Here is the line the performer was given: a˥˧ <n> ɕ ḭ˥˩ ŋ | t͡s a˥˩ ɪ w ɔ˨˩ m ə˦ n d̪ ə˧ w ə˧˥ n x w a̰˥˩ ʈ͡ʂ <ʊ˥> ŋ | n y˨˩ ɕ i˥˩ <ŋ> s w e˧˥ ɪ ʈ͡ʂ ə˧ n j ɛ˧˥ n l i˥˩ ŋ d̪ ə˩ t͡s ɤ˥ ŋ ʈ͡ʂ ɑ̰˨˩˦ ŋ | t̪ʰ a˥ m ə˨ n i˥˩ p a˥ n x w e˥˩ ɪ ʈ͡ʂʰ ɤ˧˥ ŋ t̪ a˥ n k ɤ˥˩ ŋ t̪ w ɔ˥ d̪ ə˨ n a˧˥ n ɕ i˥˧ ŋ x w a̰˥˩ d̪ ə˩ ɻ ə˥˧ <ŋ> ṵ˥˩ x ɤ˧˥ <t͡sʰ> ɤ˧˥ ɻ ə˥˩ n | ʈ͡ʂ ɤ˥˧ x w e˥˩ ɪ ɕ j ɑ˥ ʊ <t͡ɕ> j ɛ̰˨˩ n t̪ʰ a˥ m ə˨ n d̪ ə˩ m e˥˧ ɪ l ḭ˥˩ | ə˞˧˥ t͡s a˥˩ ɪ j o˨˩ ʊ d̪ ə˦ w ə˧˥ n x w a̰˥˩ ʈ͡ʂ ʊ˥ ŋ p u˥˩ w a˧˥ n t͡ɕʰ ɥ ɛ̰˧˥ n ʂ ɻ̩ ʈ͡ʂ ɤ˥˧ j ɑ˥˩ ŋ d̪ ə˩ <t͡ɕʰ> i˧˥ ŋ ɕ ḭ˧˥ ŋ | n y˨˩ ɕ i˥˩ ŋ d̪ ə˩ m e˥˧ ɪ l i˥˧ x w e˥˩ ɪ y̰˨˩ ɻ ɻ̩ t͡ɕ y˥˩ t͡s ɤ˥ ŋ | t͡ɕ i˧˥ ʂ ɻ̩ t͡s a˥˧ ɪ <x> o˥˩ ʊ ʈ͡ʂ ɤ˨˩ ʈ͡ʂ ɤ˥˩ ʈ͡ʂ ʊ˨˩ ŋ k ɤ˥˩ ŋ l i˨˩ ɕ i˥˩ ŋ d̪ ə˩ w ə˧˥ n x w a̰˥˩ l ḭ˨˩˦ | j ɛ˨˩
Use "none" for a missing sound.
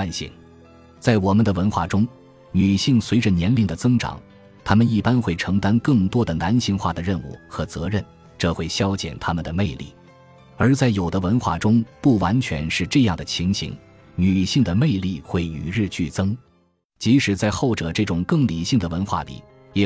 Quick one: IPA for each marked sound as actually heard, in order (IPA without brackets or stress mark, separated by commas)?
n, ʊ˥, ŋ, n, t͡s, t͡ɕ, t͡ɕʰ, x